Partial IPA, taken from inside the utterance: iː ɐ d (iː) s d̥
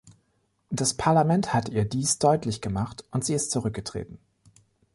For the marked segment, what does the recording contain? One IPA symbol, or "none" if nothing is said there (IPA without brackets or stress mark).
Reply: iː